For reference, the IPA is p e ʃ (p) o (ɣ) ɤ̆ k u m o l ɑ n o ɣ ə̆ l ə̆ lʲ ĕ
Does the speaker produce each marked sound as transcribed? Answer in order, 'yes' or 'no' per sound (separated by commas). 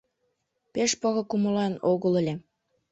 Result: yes, yes